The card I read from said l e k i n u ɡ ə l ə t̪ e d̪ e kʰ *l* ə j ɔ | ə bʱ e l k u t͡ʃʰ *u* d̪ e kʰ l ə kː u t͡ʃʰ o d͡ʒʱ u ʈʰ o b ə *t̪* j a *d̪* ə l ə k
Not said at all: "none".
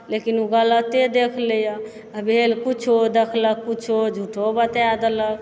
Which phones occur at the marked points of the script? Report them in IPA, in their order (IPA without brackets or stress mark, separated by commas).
l, o, t̪, d̪